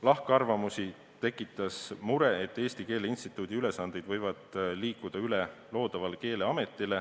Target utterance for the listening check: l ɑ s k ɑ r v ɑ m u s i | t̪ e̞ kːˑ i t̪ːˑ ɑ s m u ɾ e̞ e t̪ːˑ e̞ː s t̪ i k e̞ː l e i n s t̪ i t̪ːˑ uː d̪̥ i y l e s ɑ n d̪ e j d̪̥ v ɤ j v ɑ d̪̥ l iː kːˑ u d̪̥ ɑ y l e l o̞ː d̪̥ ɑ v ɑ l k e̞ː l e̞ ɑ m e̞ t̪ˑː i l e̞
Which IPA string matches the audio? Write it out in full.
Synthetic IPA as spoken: l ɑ h k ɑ r v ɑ m u s i | t̪ e̞ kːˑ i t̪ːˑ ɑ s m u ɾ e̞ e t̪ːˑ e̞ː s t̪ i k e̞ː l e i n s t̪ i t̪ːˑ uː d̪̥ i y l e s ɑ n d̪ e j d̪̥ v ɤ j v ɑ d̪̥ l iː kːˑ u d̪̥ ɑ y l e l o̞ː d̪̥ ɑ v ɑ l k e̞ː l e̞ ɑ m e̞ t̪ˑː i l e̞